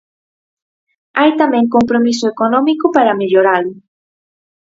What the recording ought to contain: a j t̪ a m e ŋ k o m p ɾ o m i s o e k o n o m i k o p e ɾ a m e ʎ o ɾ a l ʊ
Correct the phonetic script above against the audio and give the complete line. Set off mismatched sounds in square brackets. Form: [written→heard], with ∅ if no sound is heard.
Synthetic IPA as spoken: a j t̪ a m e ŋ k o m p ɾ o m i s o e k o n o m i k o p [e→a] ɾ a m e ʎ o ɾ a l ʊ